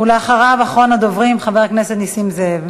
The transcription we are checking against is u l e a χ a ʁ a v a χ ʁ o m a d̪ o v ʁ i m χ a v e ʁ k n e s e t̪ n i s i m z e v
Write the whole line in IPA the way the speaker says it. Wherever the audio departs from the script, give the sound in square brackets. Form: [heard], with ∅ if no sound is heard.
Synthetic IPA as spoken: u l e a χ a ʁ a v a χ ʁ o [n] a d̪ o v ʁ i m χ a v e ʁ k n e s e t̪ n i s i m z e v